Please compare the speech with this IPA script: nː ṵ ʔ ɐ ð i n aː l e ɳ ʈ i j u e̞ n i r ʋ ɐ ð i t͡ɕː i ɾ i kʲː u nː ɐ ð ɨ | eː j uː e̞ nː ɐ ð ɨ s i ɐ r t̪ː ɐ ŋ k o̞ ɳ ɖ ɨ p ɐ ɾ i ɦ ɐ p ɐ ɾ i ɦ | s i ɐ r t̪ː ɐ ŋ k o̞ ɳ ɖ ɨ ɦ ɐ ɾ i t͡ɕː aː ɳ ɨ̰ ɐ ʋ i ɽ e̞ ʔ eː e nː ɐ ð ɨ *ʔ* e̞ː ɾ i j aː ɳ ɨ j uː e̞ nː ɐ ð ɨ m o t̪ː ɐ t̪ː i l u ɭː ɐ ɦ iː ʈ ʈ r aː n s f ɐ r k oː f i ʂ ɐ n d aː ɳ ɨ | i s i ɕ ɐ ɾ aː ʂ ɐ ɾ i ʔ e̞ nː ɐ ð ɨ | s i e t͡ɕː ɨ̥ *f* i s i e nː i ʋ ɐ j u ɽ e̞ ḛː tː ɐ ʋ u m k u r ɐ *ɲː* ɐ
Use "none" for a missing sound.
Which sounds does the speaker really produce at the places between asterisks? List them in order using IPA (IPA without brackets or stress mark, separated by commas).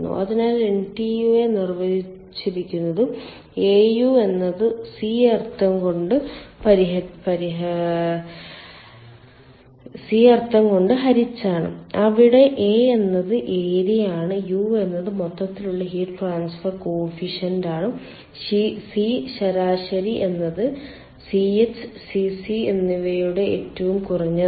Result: ʔ, s, ɲː